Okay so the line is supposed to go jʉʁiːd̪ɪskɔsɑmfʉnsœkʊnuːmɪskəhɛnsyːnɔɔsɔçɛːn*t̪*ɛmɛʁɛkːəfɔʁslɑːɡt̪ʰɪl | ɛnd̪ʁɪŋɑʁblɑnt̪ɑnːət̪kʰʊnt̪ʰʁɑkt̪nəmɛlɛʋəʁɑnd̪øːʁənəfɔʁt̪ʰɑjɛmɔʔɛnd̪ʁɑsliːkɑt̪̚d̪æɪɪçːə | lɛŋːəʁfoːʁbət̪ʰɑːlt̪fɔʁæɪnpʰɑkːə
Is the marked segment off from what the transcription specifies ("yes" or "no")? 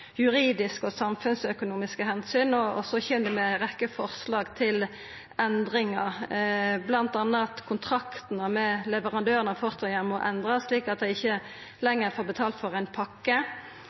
yes